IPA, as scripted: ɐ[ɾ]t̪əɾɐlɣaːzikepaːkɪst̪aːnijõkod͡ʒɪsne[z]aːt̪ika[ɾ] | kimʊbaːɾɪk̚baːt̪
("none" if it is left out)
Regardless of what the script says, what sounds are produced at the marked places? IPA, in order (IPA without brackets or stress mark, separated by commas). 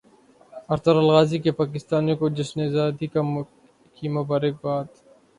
ɾ, z, none